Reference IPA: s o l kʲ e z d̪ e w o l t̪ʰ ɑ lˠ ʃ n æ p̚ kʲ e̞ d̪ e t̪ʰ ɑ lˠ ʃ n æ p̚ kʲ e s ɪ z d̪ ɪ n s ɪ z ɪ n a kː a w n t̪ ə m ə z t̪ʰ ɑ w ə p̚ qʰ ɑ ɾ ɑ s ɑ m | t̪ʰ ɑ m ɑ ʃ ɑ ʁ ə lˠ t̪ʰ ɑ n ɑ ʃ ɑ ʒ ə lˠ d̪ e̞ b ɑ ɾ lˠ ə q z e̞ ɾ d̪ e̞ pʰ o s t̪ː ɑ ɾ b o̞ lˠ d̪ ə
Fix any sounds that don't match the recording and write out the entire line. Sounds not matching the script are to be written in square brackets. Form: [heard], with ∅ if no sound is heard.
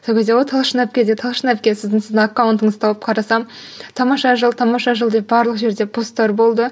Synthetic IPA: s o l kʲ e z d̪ e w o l t̪ʰ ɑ lˠ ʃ n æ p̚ kʲ e̞ d̪ e t̪ʰ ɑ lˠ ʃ n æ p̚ kʲ e s ɪ z d̪ ɪ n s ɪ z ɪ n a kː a w n t̪ ə [ɴ] ə z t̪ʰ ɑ w ə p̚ qʰ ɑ ɾ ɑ s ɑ m | t̪ʰ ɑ m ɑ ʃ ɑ [ʒ] ə lˠ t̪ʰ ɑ [m] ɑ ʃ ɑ ʒ ə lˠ d̪ e̞ b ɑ ɾ lˠ ə q [ʒ] e̞ ɾ d̪ e̞ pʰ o s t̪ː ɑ ɾ b o̞ lˠ d̪ ə